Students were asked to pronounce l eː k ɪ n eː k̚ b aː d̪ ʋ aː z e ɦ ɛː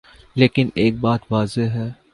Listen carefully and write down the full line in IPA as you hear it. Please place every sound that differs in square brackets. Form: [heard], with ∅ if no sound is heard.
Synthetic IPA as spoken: l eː k ɪ n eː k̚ b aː [t̪] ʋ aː z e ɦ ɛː